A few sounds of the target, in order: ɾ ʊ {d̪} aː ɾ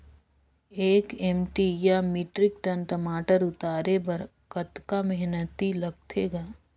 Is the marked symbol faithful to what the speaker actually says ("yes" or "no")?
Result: no